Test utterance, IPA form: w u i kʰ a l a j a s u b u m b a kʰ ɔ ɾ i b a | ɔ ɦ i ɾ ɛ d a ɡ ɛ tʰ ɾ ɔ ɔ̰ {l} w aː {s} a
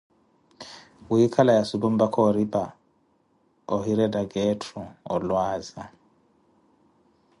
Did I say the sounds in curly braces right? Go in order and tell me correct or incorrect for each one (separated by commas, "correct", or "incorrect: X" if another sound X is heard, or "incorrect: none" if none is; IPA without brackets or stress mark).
correct, incorrect: z